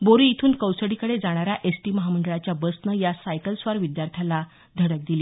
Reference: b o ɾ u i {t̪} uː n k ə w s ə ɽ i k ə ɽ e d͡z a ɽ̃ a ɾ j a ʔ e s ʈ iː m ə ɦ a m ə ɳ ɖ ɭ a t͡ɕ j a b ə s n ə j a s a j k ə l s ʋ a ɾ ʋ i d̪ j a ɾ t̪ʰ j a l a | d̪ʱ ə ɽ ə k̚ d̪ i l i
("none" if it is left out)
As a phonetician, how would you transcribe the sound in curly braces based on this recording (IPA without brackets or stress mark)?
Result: t̪ʰ